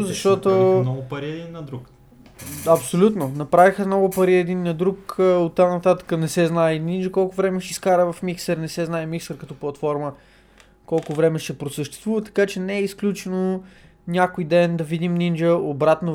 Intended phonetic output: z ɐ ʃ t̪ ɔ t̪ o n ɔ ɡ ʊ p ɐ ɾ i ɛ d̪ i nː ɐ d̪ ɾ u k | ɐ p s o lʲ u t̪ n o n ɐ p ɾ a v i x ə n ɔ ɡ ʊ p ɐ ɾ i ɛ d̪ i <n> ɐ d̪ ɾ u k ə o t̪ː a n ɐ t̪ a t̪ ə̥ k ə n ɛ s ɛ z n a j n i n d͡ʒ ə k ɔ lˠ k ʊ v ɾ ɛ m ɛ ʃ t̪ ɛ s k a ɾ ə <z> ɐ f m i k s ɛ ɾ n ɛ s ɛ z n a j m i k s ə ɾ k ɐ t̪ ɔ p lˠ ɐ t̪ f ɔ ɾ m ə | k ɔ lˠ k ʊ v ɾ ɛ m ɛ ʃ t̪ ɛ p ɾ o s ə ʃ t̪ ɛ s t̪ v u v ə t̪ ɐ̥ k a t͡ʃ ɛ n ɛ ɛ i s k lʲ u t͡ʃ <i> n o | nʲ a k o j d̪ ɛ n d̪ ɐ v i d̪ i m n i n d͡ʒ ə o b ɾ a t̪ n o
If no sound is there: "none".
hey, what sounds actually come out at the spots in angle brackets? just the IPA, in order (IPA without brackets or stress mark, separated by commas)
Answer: nː, v, ɛ